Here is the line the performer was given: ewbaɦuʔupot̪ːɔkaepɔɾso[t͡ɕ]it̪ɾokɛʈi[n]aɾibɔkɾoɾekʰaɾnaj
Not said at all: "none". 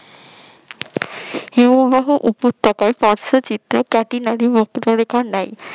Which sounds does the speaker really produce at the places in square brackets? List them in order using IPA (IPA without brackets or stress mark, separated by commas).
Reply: t͡ɕ, n